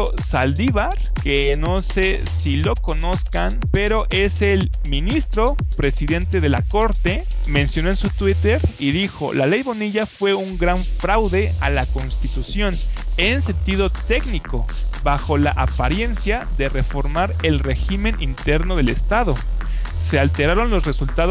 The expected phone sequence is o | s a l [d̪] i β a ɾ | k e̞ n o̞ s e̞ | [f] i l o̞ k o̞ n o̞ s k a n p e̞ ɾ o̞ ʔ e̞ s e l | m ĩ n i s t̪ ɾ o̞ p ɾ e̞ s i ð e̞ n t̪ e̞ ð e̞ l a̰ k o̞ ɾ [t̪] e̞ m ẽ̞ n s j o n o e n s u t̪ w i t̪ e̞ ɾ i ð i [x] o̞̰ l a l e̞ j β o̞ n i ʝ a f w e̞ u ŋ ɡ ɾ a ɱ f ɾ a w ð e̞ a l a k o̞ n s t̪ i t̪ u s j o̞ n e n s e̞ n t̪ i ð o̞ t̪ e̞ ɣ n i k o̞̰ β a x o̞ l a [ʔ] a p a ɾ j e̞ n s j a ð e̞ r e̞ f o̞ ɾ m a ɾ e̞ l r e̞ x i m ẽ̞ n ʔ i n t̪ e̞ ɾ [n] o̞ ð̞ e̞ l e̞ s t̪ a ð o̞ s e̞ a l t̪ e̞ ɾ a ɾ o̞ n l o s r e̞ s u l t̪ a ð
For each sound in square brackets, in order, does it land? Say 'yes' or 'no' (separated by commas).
yes, no, yes, yes, yes, yes